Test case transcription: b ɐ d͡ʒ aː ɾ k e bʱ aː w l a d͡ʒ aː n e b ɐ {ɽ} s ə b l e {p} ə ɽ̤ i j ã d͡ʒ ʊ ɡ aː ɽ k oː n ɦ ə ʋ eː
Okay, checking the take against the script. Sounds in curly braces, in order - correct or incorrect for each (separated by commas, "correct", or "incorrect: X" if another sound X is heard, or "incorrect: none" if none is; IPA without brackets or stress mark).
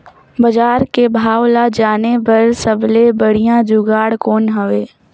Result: incorrect: ɾ, incorrect: b